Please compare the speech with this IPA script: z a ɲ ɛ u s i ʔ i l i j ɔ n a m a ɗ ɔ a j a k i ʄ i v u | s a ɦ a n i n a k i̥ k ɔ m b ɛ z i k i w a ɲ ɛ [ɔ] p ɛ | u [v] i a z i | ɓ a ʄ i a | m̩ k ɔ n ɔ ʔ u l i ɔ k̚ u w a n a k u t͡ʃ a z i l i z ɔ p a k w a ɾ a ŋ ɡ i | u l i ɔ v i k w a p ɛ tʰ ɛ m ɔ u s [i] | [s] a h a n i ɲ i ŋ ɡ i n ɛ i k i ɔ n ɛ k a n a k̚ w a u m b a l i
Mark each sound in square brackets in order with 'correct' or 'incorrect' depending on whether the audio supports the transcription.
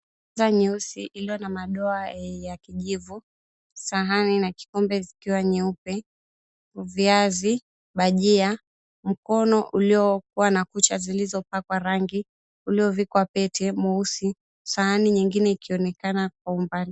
incorrect, correct, correct, correct

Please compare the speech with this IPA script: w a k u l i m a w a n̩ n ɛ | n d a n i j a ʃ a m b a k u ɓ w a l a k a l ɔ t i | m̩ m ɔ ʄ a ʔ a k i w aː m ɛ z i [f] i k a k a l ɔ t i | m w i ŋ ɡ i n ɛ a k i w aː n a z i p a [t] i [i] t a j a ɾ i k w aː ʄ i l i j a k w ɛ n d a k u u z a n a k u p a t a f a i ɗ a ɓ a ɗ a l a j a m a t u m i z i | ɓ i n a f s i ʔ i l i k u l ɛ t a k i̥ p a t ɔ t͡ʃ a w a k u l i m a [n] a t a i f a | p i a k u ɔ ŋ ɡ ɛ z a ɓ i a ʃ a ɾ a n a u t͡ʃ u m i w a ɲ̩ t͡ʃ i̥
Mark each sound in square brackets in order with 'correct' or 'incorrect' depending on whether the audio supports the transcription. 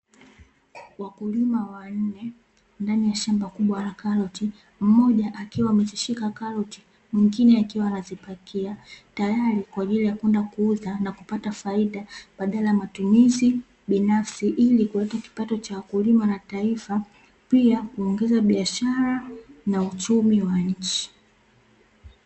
incorrect, incorrect, incorrect, correct

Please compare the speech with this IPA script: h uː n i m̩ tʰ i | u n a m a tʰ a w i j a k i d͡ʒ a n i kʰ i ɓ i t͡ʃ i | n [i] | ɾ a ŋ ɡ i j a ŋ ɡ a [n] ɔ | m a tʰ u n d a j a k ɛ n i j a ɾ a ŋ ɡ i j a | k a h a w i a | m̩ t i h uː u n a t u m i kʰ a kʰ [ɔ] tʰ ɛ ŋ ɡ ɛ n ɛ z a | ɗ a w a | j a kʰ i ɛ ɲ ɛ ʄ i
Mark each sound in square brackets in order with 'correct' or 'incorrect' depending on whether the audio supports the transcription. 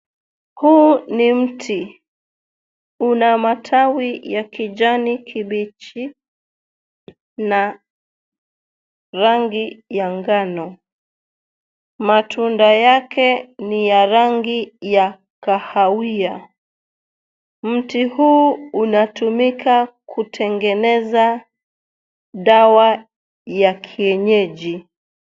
incorrect, correct, incorrect

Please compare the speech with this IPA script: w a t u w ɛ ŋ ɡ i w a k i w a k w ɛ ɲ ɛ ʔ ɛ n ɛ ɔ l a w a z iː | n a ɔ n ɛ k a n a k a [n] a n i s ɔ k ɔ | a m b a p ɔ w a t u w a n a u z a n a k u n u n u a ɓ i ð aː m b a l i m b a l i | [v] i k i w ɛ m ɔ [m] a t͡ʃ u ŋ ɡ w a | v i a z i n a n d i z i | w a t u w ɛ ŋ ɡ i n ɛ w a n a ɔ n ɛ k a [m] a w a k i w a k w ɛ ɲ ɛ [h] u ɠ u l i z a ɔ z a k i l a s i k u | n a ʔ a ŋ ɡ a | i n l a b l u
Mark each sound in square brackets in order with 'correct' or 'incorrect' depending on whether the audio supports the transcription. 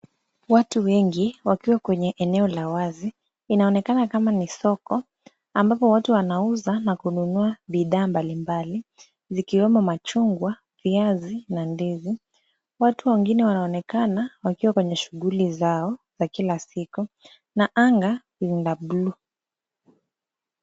incorrect, incorrect, correct, incorrect, incorrect

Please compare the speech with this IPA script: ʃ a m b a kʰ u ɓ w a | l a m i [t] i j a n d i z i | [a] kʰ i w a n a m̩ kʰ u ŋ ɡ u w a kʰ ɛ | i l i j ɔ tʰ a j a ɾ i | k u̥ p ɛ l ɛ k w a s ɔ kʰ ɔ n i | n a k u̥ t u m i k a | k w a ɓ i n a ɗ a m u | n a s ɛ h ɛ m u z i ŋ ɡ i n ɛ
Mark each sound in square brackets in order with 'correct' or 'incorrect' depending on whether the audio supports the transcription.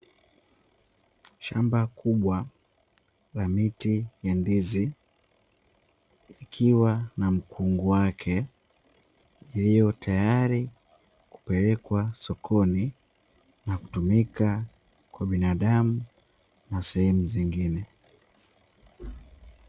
correct, incorrect

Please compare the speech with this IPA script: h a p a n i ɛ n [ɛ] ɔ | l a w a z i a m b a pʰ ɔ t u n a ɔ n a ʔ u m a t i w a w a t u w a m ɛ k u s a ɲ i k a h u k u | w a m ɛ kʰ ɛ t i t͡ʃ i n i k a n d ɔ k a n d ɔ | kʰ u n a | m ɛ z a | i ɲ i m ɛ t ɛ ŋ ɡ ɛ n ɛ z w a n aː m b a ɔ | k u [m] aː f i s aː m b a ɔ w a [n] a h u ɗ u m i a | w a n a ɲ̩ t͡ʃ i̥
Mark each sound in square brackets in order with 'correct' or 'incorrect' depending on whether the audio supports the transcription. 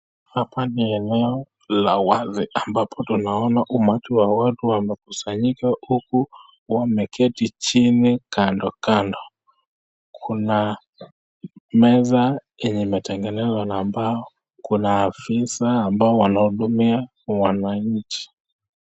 correct, incorrect, correct

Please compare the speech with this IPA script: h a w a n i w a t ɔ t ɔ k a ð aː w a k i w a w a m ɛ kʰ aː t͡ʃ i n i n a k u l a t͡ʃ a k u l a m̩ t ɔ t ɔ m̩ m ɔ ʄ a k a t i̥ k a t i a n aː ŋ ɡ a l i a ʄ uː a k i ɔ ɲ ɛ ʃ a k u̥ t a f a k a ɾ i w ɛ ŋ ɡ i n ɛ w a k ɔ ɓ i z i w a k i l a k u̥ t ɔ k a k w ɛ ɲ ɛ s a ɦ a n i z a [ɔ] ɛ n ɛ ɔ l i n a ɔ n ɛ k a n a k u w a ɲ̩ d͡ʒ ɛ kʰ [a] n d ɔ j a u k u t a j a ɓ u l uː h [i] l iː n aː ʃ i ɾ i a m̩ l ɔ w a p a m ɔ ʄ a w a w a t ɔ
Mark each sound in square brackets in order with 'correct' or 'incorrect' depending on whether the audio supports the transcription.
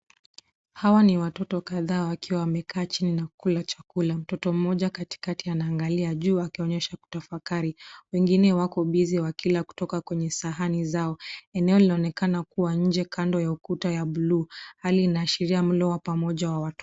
correct, correct, incorrect

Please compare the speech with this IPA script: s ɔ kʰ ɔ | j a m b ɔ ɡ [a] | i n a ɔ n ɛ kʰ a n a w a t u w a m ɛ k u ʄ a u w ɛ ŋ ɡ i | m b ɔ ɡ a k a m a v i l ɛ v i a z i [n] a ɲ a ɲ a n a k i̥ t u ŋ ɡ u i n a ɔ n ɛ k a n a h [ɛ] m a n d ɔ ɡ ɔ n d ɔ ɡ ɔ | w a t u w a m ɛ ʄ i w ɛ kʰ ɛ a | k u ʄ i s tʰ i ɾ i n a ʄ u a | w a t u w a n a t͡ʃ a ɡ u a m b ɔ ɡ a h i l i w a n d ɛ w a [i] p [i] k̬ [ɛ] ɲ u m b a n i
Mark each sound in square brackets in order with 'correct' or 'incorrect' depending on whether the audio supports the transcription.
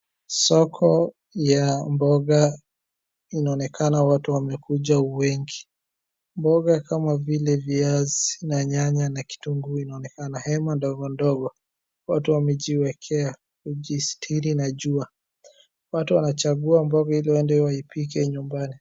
correct, correct, correct, correct, correct, correct

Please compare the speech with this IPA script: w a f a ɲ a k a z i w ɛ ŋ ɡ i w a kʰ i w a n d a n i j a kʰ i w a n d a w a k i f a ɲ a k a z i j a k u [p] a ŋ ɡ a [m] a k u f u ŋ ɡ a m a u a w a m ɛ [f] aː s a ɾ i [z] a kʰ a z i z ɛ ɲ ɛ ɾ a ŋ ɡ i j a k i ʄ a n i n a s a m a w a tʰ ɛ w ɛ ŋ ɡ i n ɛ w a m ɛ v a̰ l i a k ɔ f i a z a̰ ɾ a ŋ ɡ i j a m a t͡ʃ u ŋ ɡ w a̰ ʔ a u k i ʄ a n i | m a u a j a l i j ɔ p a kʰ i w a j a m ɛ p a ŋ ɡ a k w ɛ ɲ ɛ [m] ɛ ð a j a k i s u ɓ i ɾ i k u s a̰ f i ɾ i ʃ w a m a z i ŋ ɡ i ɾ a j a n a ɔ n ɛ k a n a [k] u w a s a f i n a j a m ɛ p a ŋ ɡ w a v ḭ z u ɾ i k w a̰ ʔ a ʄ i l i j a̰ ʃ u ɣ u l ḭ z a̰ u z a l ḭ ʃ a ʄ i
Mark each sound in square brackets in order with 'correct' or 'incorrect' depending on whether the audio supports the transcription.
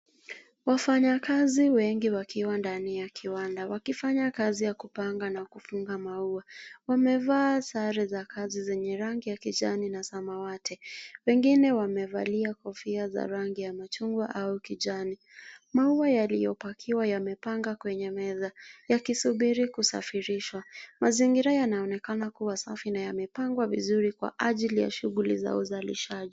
correct, incorrect, incorrect, correct, correct, correct

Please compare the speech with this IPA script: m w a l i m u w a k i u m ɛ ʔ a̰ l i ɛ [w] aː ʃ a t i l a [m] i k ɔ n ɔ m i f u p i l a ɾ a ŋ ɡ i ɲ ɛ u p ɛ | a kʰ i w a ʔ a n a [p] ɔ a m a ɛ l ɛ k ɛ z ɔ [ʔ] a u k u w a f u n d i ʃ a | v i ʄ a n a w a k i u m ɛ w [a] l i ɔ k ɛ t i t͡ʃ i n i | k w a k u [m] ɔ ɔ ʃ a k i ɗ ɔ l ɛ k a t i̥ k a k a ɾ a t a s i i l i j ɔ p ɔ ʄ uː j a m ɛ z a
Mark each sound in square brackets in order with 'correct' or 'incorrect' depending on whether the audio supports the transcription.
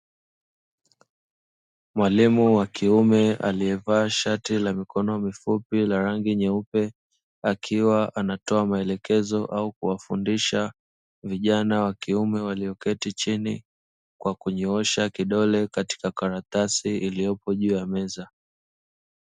incorrect, correct, incorrect, correct, correct, incorrect

